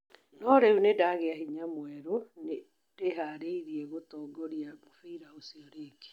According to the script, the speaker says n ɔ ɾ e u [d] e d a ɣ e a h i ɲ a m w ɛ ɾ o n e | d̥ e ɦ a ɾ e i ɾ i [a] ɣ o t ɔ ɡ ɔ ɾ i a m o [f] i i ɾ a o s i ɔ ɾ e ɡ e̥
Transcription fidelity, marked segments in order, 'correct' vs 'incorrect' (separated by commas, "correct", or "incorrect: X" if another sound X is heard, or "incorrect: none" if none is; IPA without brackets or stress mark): incorrect: n, incorrect: ɛ, correct